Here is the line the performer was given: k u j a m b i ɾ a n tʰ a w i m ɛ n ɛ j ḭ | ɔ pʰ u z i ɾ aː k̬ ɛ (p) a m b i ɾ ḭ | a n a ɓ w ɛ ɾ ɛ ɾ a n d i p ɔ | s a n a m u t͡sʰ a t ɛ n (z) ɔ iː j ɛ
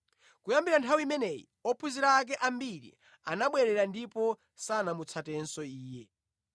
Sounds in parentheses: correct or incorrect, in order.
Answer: incorrect, incorrect

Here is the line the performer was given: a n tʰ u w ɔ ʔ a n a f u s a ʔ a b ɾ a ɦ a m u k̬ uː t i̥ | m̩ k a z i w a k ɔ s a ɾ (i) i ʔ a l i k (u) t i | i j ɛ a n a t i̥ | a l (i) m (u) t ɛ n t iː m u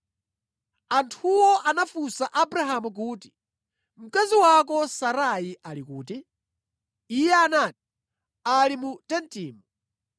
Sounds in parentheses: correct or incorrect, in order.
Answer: incorrect, incorrect, correct, correct

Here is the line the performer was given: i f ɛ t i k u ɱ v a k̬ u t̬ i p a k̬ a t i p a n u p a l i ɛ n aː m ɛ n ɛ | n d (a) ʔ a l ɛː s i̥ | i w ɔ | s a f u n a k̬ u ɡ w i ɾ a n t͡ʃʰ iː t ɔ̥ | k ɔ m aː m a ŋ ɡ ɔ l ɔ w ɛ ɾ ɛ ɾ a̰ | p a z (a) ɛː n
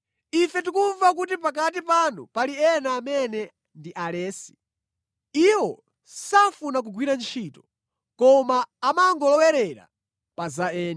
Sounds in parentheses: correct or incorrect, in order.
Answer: incorrect, correct

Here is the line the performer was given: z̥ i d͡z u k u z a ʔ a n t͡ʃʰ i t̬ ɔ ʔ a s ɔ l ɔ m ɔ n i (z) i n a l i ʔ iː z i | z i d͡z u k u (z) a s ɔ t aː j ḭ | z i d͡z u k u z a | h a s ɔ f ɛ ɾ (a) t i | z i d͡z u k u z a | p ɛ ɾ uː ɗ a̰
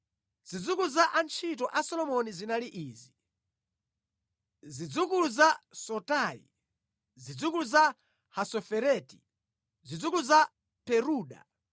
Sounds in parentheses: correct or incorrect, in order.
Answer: correct, correct, incorrect

